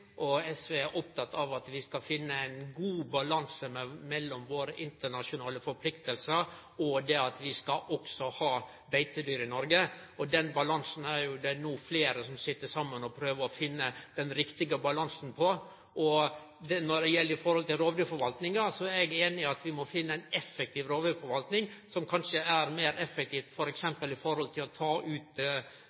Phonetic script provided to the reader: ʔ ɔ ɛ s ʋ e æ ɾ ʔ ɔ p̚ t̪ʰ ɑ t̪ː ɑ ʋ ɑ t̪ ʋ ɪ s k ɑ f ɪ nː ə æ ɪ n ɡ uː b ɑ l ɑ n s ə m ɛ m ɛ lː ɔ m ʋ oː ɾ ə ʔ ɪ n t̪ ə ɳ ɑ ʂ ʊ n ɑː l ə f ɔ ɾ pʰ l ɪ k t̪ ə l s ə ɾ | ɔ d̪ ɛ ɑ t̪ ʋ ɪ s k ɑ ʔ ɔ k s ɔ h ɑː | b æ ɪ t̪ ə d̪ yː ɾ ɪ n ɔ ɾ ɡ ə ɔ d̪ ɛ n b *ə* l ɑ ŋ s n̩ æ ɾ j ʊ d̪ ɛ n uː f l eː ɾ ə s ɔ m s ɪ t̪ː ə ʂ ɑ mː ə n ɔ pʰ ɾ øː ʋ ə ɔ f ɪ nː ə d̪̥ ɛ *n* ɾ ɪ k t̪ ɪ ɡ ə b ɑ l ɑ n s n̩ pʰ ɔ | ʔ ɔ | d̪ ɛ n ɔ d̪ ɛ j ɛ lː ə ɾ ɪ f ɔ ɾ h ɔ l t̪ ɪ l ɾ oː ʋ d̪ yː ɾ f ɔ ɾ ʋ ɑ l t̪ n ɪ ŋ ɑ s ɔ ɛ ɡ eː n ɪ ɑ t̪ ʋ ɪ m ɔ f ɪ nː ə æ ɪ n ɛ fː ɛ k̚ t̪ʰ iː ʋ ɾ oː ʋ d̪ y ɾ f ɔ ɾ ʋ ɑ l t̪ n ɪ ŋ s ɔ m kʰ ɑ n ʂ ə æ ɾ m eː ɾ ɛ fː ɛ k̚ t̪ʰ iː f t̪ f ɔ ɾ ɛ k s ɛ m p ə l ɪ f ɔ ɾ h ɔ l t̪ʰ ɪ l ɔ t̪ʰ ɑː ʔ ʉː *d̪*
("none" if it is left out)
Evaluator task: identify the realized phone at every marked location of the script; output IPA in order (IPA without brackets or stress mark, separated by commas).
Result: ɑ, n, t̪